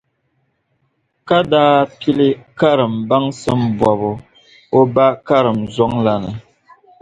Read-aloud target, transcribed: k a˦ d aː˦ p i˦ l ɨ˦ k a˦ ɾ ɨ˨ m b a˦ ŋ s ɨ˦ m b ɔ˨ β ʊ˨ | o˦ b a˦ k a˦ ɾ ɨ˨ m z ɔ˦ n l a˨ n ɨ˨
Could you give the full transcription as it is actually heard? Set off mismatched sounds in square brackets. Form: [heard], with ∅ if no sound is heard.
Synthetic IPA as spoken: k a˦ d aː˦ p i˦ l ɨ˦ k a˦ ɾ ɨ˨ m b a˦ ŋ s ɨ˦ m b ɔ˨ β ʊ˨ | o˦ b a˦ k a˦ ɾ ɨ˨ m z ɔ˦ [ŋ] l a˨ n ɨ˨